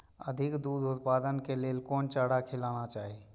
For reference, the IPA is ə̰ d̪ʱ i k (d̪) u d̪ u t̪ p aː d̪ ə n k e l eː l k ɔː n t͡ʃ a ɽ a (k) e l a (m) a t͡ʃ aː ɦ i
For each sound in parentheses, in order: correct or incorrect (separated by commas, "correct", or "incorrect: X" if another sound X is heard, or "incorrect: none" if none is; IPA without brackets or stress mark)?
correct, incorrect: kʰ, incorrect: n